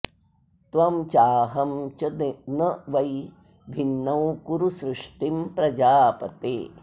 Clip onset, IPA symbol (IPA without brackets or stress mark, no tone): t̪